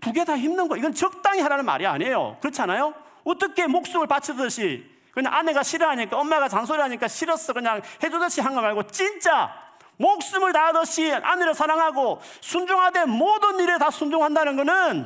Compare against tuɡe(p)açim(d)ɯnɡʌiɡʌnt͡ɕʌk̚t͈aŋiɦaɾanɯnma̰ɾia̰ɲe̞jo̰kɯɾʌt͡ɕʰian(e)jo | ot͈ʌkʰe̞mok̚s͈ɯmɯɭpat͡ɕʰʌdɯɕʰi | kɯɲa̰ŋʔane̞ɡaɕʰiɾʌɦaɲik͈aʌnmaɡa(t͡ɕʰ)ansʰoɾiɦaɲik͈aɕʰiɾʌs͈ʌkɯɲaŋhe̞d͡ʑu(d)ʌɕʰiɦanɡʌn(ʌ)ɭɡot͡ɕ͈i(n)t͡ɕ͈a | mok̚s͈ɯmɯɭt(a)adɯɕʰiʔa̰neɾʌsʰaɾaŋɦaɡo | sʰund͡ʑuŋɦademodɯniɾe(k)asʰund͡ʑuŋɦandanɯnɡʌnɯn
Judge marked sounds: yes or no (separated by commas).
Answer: no, no, no, no, yes, no, yes, yes, no